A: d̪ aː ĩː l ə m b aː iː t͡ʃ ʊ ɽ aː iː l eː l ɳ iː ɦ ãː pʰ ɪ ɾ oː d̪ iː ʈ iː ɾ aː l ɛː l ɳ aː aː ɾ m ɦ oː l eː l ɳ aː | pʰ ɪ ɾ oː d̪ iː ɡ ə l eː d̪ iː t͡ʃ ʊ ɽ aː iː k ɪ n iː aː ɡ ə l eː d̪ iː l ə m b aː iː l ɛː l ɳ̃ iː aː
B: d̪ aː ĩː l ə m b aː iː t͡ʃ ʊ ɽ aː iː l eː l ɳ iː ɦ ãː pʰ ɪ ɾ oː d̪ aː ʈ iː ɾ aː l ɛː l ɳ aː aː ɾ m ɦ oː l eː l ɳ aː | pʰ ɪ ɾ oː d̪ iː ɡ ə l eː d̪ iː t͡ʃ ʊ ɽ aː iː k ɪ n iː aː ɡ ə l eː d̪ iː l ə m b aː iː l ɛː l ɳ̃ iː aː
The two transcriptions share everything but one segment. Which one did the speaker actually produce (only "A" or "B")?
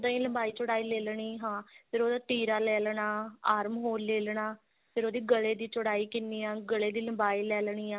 B